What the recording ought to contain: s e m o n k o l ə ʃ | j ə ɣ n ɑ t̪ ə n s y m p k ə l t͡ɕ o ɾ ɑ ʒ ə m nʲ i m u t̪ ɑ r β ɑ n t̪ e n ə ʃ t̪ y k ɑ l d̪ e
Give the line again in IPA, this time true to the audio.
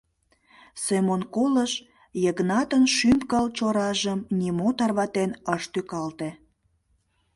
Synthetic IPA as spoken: s e m o n k o l ə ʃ | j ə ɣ n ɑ t̪ ə n ʃ y m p k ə l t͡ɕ o ɾ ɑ ʒ ə m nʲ i m o t̪ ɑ r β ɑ t̪ e n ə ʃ t̪ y k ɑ l t̪ e